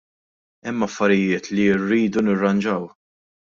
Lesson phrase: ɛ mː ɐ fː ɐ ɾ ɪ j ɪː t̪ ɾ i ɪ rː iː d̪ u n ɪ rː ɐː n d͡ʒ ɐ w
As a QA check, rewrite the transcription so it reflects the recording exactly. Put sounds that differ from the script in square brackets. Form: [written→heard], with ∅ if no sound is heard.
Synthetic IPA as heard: ɛ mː ɐ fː ɐ ɾ ɪ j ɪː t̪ [ɾ→l] i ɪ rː iː d̪ u n ɪ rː [ɐː→ɐ] n d͡ʒ ɐ w